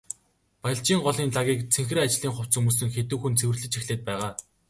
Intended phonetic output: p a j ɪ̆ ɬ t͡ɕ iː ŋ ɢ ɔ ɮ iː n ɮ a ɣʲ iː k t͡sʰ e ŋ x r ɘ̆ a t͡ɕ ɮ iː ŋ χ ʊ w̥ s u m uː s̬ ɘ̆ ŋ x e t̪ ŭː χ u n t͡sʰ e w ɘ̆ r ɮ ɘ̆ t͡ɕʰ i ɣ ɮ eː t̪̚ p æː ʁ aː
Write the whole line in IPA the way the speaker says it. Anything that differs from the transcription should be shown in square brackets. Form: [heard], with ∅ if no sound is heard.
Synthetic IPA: p a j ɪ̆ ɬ t͡ɕ iː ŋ ɢ ɔ ɮ iː n ɮ a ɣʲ iː k t͡sʰ e ŋ x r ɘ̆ a t͡ɕ ɮ iː ŋ χ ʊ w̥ [t͡s] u m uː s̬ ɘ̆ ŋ x e t̪ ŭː [x] u n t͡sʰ e w ɘ̆ r ɮ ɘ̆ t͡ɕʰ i [x] ɮ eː t̪̚ p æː ʁ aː